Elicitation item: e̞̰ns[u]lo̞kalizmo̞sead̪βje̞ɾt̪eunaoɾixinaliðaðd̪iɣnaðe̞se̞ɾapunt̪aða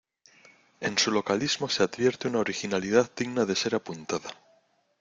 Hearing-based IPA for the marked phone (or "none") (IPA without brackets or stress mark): u